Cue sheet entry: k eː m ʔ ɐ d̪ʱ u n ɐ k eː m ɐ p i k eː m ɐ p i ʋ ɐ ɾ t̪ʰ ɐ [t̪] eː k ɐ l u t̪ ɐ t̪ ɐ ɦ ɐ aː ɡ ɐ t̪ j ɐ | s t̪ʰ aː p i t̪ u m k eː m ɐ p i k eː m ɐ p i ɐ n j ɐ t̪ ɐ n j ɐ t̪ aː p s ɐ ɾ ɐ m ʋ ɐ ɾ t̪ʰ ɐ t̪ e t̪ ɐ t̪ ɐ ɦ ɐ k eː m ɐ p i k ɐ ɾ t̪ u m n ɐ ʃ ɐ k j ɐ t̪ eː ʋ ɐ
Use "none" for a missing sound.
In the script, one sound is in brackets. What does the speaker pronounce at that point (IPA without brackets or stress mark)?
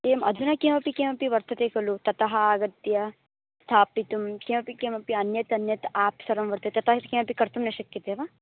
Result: t̪